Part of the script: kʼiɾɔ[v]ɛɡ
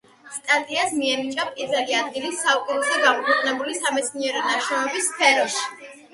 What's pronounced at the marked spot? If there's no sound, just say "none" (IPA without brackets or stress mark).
z